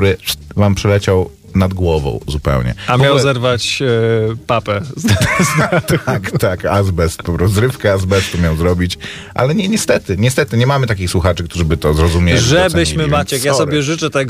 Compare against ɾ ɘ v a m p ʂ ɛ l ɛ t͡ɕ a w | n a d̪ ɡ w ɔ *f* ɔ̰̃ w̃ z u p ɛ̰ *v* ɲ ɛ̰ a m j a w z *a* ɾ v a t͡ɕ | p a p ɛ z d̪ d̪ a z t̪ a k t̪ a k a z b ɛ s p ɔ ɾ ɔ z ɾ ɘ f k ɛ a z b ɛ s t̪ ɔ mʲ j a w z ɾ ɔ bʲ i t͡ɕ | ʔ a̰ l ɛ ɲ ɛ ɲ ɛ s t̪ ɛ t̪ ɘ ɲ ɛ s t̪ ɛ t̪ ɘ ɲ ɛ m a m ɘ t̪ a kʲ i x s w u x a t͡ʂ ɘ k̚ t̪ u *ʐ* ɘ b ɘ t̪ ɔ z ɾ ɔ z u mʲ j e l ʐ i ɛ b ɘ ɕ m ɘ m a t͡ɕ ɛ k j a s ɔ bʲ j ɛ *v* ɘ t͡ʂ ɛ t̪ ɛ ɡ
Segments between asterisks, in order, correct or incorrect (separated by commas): incorrect, incorrect, incorrect, correct, incorrect